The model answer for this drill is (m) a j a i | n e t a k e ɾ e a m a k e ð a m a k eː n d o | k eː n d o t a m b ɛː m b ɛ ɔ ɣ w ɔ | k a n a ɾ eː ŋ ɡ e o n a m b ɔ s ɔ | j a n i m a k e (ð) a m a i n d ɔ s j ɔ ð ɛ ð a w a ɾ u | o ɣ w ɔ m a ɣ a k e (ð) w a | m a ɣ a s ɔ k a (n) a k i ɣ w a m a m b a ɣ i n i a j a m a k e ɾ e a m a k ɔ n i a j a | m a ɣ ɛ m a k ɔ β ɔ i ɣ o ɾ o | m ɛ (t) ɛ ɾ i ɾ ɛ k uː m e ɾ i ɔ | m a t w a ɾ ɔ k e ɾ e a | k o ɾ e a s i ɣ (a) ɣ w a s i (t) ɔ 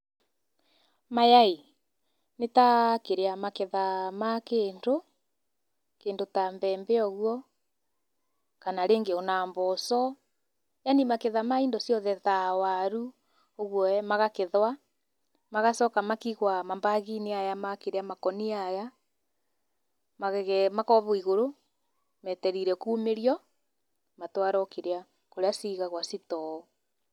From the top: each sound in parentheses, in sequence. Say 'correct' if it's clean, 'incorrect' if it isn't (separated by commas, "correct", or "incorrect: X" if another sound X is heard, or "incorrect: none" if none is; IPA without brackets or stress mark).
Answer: correct, correct, correct, incorrect: m, correct, correct, correct